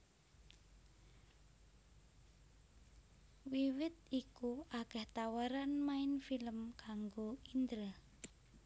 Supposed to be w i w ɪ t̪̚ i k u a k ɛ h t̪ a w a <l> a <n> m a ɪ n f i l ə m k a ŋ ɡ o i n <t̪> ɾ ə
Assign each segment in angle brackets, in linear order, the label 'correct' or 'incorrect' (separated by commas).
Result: incorrect, correct, incorrect